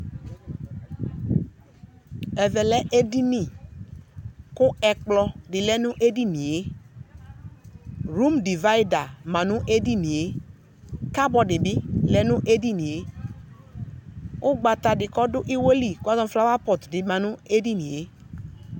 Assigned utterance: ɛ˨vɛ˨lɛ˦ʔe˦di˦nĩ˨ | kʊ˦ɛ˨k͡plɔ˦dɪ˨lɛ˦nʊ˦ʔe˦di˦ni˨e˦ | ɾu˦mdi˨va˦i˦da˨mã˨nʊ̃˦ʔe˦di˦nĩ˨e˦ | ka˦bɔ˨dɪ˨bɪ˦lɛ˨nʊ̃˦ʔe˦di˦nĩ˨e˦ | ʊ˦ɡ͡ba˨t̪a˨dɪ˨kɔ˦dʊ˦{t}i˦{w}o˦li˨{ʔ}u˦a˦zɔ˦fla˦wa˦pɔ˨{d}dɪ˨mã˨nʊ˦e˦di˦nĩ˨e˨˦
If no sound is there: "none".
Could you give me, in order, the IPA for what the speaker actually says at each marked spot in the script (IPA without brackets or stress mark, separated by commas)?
ʔ, w, k, t